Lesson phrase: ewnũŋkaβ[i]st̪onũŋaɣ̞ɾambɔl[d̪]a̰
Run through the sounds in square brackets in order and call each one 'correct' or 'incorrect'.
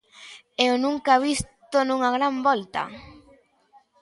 correct, incorrect: t̪

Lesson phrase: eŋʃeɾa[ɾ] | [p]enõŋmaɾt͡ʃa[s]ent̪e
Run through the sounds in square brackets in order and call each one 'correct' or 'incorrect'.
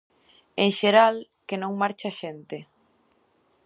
incorrect: l, incorrect: k, incorrect: ʃ

